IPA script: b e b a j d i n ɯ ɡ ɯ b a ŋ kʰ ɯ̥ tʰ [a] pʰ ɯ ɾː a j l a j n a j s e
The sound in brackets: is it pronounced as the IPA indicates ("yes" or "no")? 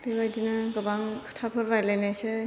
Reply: yes